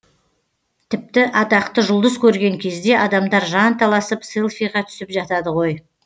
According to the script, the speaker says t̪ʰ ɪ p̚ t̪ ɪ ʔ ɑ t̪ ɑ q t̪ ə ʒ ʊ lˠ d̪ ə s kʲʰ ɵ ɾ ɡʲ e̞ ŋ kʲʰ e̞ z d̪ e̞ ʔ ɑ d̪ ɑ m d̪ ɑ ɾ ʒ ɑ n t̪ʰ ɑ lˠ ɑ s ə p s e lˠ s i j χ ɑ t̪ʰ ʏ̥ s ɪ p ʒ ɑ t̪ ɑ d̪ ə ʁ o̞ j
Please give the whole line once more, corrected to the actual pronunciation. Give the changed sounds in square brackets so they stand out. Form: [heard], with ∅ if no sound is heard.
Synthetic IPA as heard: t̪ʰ ɪ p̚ t̪ ɪ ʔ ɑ t̪ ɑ q t̪ ə ʒ ʊ lˠ d̪ ə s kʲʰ ɵ ɾ ɡʲ e̞ ŋ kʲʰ e̞ z d̪ e̞ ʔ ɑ d̪ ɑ m d̪ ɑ ɾ ʒ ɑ n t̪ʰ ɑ lˠ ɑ s ə p s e lˠ [f] i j [ʁ] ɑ t̪ʰ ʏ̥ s ɪ p ʒ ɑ t̪ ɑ d̪ ə ʁ o̞ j